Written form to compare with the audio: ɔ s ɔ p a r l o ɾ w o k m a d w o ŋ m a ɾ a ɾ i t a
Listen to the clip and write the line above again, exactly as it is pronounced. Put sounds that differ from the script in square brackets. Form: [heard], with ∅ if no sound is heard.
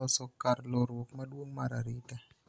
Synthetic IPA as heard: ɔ s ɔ [k] a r l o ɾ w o k m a d w o ŋ m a ɾ a ɾ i t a